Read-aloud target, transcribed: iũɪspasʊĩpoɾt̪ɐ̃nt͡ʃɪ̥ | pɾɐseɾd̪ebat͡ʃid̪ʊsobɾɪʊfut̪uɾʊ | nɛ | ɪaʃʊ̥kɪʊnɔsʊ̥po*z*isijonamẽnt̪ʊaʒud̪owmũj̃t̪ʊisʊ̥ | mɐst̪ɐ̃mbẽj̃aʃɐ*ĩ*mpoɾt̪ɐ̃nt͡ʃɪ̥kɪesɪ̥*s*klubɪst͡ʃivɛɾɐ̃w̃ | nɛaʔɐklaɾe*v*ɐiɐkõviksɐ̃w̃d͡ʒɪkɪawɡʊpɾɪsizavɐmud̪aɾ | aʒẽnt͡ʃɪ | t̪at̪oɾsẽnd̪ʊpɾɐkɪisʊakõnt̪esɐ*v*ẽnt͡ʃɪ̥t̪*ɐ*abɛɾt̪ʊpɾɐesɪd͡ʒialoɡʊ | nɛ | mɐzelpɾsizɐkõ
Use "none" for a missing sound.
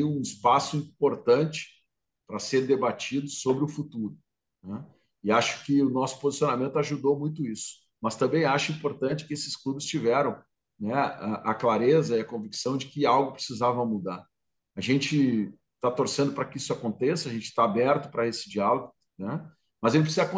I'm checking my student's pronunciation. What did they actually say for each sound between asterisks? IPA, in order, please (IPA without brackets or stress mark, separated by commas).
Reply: z, ĩ, s, z, ʒ, a